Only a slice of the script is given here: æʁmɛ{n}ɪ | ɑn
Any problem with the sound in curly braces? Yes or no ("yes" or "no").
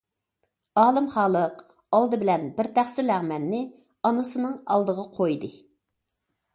yes